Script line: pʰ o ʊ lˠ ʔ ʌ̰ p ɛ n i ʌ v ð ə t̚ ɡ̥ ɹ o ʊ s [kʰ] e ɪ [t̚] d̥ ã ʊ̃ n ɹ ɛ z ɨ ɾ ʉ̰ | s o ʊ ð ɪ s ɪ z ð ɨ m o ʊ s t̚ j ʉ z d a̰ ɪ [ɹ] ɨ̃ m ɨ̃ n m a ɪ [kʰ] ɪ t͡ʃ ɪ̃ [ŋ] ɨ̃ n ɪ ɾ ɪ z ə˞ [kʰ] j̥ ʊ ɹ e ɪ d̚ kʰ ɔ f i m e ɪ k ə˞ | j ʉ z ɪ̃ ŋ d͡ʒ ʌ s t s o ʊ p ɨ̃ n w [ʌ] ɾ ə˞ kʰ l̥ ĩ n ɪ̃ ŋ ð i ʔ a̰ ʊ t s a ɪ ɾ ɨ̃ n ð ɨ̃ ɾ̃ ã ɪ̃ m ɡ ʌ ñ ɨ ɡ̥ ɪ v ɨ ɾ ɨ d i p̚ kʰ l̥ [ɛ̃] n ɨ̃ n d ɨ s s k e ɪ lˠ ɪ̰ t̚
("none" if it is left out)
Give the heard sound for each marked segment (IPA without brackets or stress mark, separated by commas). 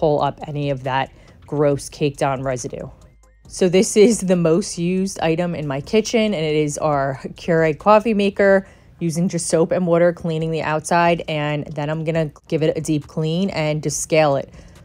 kʰ, k̚, ɾ, kʰ, n, kʰ, ɔ, ĩ